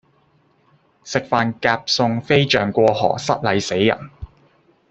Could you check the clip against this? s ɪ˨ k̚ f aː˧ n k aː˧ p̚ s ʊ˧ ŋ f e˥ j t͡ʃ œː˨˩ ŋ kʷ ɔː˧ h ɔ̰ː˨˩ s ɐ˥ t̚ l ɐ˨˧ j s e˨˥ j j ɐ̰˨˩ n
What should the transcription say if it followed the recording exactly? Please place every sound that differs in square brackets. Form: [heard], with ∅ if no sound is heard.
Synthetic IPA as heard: s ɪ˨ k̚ f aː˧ n k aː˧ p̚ s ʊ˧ ŋ f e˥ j t͡ʃ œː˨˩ ŋ kʷ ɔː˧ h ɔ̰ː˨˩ s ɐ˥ t̚ l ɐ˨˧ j s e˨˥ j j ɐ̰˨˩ n

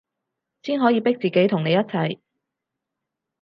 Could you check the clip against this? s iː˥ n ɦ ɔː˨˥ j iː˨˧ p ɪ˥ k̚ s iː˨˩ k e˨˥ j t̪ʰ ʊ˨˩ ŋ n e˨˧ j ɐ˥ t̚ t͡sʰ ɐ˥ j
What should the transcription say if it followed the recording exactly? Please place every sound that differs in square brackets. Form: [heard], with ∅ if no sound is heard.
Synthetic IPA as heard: s iː˥ n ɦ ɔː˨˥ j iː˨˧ p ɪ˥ k̚ [t͡s] iː˨˩ k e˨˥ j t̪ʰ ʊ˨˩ ŋ n e˨˧ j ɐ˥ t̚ t͡sʰ [ɐ˨˩] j

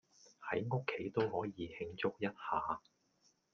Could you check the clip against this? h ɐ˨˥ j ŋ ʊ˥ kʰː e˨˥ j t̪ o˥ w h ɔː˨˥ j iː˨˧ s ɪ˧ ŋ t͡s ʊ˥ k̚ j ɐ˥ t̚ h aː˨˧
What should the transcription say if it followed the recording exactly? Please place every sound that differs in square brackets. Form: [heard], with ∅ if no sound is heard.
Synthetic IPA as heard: h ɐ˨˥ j ŋ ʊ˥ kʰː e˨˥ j t̪ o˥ w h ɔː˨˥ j iː˨˧ [h] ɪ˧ ŋ t͡s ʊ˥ k̚ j ɐ˥ t̚ h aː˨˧

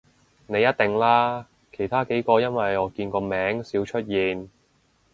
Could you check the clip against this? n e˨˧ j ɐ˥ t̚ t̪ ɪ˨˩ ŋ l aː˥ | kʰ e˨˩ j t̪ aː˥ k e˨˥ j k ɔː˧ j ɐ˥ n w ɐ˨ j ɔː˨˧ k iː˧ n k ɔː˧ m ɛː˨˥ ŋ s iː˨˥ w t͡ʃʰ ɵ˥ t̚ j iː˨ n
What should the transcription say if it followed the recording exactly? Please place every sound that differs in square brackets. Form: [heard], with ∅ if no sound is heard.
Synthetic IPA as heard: n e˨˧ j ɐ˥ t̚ t̪ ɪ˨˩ ŋ l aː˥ | kʰ e˨˩ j [t̪ʰ] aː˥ k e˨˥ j k ɔː˧ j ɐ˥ n w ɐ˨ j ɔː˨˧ k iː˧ n k ɔː˧ m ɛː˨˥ ŋ s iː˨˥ w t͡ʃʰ ɵ˥ t̚ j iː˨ n

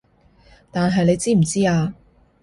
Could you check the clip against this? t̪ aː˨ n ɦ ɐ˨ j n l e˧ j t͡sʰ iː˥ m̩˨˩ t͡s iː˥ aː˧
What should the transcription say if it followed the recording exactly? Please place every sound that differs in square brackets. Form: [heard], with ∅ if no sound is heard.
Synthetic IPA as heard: t̪ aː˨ n ɦ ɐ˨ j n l e˧ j [t͡s] iː˥ m̩˨˩ t͡s iː˥ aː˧

